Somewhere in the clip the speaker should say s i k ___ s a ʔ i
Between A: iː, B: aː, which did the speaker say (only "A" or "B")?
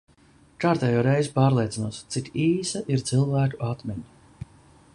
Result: A